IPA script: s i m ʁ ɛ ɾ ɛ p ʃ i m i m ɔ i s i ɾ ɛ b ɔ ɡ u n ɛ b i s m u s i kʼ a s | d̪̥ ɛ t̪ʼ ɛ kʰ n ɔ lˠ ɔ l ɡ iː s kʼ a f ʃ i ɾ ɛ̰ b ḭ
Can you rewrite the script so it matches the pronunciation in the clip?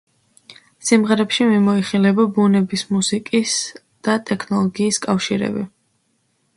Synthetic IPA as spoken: s i m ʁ ɛ ɾ ɛ p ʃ i m i m ɔ i χ i l ɛ b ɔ b u n ɛ b i s m u s i kʼ i s | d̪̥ a t̪ʼ ɛ kʰ n ɔ lˠ ɔ ɡ iː s kʼ a f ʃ i ɾ ɛ̰ b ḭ